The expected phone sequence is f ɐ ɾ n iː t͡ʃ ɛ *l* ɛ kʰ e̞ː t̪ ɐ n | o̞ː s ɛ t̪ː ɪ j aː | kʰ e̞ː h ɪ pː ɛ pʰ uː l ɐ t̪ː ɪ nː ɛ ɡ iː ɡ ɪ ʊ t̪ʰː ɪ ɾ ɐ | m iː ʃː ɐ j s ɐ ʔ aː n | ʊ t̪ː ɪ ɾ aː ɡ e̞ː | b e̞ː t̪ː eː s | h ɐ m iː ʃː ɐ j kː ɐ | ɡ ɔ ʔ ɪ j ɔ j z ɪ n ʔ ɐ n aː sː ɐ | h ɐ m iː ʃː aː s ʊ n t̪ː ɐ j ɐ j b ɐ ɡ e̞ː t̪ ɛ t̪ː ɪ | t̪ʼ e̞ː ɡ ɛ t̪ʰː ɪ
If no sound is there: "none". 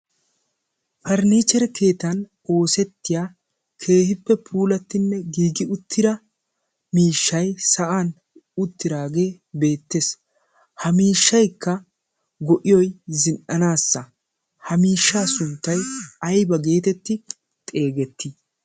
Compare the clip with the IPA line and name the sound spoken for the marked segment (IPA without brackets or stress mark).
ɾ